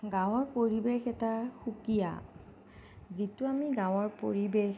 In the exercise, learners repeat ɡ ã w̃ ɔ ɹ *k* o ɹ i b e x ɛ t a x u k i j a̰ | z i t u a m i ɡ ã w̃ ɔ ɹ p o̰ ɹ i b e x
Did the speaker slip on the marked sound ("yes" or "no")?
yes